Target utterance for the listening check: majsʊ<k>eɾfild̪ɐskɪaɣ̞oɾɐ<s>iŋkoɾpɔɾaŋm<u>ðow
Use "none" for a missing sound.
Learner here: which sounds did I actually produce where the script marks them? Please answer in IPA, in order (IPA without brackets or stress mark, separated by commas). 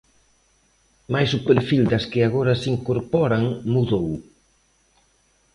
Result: p, s, u